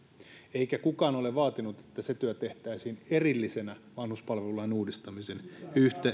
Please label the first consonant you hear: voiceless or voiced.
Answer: voiceless